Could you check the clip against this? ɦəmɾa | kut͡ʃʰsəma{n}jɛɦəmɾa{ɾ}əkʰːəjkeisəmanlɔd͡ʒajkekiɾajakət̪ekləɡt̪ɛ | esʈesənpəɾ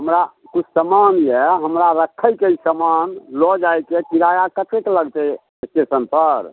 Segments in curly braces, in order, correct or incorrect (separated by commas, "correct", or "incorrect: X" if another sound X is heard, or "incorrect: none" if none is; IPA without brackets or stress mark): correct, correct